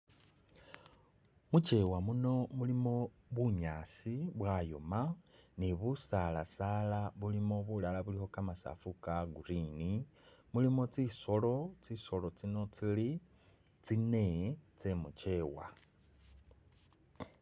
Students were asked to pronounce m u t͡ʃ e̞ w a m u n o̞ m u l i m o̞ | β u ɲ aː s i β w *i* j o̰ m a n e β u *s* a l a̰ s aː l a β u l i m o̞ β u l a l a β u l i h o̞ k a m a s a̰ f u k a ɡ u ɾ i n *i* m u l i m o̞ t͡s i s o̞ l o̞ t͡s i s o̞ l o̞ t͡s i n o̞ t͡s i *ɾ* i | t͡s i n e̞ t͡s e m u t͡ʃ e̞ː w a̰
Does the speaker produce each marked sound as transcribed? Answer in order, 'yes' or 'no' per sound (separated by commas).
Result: no, yes, yes, no